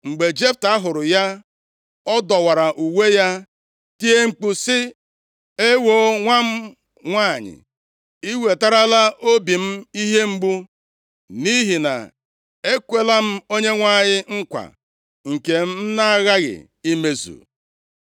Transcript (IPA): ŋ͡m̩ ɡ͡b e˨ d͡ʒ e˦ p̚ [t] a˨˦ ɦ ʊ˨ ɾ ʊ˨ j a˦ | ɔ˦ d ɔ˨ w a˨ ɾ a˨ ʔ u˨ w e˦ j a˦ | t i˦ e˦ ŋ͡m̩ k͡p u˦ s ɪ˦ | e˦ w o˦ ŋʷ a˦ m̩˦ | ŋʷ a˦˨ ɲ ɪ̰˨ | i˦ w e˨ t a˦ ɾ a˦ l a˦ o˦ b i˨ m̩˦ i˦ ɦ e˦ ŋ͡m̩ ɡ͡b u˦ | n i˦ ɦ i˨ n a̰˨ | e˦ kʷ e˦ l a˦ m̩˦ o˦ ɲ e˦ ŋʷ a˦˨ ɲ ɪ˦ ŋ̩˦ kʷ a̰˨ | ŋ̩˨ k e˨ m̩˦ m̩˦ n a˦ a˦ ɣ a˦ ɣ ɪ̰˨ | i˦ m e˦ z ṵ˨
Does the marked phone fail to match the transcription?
no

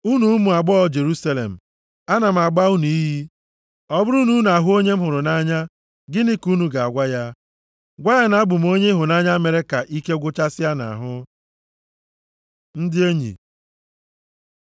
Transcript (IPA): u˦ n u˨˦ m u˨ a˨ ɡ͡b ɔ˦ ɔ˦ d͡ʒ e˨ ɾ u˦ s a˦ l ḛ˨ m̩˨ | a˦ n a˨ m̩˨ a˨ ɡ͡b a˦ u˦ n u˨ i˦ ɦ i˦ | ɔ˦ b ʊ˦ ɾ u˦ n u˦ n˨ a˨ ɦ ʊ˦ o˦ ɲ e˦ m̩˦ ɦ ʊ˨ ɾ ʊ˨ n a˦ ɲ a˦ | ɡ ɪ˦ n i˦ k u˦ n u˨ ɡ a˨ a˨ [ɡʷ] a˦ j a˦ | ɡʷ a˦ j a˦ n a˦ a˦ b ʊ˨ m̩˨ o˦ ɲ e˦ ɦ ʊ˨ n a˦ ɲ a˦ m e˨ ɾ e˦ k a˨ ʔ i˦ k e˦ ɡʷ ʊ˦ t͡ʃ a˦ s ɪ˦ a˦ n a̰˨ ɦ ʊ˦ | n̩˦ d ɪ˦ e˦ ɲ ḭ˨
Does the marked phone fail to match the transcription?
no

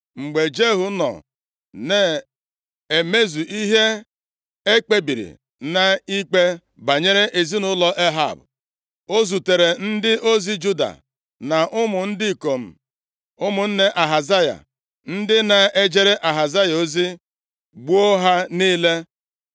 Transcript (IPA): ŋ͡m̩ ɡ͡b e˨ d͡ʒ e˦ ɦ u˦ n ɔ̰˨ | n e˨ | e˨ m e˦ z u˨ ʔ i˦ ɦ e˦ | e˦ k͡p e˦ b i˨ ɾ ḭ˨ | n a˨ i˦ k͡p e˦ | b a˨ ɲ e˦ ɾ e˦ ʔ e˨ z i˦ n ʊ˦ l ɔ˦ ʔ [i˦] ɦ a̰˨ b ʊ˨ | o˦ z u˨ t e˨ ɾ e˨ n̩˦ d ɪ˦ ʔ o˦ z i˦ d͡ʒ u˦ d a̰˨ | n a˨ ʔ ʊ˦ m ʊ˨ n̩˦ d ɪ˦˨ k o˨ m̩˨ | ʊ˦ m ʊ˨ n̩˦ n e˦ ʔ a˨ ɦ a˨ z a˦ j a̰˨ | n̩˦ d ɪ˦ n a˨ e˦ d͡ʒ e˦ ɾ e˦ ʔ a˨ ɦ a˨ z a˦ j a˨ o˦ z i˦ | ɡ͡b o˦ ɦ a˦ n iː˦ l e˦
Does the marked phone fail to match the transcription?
yes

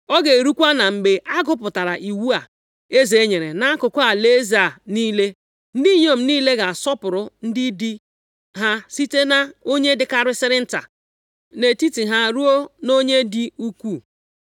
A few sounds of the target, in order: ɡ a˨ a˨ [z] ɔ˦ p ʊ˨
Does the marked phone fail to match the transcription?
yes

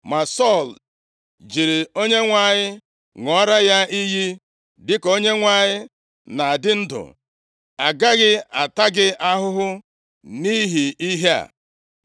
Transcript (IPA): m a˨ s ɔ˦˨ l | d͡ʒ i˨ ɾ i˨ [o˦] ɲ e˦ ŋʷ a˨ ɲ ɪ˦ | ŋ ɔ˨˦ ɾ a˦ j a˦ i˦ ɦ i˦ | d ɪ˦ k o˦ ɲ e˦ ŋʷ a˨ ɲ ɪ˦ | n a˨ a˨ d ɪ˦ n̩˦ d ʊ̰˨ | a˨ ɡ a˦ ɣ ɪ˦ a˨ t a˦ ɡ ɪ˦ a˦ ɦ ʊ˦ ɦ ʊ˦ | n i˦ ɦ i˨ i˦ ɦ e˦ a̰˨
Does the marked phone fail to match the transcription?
no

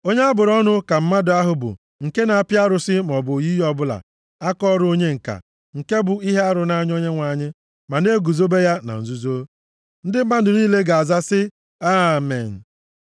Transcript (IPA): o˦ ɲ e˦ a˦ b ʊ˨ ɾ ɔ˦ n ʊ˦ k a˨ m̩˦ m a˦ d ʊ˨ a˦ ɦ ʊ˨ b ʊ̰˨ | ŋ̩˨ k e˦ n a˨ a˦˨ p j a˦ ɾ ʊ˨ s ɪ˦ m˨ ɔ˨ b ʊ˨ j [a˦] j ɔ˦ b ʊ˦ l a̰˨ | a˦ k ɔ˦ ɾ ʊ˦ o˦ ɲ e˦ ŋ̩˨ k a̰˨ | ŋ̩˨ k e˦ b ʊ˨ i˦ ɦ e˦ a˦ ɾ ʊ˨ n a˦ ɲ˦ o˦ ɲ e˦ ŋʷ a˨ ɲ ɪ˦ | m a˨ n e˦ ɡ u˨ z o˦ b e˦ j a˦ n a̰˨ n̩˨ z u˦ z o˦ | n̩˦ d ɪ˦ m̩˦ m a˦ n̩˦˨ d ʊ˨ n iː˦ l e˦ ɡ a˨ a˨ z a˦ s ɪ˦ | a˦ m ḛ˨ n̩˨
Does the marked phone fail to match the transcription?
yes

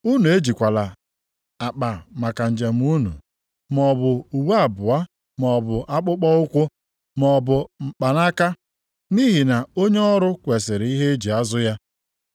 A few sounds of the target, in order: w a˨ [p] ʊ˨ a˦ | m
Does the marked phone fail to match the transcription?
yes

